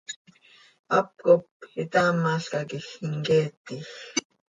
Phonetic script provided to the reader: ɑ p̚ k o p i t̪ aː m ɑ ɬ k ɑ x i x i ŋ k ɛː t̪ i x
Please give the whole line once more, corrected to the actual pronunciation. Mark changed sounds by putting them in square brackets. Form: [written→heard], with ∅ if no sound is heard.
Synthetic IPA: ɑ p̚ k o p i t̪ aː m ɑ ɬ k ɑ [x→k] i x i ŋ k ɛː t̪ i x